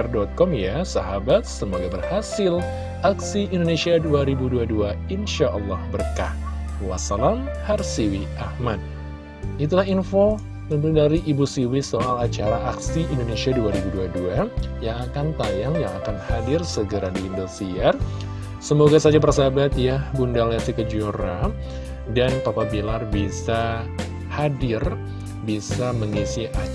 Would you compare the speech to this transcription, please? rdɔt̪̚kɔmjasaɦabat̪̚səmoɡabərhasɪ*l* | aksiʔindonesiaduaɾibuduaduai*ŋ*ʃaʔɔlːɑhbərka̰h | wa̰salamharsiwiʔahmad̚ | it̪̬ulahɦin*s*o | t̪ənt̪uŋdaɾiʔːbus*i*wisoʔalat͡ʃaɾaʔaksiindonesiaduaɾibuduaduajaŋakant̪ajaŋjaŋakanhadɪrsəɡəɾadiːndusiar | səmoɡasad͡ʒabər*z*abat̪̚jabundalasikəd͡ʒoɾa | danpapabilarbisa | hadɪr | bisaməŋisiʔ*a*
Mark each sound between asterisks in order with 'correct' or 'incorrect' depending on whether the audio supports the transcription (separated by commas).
correct, incorrect, incorrect, correct, incorrect, correct